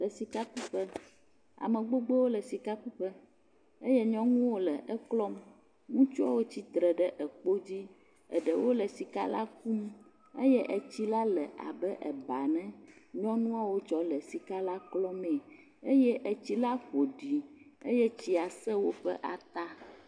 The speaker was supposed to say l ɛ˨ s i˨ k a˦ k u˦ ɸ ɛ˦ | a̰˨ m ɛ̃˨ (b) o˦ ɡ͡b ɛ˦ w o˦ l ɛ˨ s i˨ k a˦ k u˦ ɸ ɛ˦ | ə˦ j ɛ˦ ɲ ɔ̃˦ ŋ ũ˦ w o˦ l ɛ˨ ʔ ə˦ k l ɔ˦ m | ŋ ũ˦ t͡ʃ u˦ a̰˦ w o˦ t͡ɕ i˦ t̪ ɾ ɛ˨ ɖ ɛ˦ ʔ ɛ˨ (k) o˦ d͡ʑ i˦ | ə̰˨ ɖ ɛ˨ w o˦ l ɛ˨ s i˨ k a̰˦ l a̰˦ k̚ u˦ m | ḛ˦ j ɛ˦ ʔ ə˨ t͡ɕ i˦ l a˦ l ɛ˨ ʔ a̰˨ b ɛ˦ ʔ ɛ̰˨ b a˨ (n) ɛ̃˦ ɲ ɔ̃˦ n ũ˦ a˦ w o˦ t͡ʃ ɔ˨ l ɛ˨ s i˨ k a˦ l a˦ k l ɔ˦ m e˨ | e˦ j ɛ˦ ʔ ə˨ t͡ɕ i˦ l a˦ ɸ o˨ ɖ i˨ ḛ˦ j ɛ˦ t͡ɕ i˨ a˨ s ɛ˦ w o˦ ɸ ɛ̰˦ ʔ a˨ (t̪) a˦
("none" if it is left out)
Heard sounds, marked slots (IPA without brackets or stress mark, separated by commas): ɡ͡b, k͡p, n, t̪